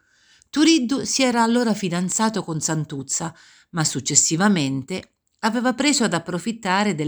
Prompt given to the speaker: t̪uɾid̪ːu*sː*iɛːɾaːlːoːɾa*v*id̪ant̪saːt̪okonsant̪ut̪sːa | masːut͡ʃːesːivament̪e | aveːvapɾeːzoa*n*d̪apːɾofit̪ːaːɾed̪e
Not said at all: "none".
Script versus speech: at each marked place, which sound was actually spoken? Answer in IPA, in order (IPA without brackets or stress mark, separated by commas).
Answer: s, f, none